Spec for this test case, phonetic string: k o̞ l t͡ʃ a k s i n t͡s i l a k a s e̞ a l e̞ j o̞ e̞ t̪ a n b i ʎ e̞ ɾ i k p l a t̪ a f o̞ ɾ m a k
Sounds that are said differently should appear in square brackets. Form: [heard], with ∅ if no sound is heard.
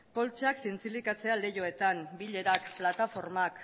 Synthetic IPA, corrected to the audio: k o̞ l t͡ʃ a k s i n t͡s i l [i] k a [t͡s] e̞ a l e̞ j o̞ e̞ t̪ a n b i ʎ e̞ ɾ [a] k p l a t̪ a f o̞ ɾ m a k